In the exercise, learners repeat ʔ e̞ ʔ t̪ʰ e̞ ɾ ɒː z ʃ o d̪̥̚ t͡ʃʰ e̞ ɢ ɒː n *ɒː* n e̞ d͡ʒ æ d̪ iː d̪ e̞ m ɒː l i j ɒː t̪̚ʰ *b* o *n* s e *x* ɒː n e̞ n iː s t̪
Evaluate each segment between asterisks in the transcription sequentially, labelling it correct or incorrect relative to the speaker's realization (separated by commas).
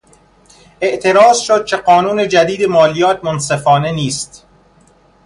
incorrect, incorrect, correct, incorrect